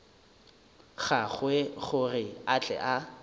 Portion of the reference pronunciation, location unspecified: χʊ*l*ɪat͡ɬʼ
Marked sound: incorrect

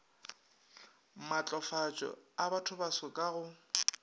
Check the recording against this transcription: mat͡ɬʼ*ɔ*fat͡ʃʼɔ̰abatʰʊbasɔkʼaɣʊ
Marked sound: correct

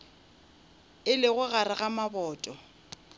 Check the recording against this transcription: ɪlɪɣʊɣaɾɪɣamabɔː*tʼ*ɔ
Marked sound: correct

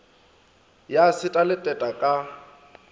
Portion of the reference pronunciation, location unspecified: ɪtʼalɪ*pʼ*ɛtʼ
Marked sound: incorrect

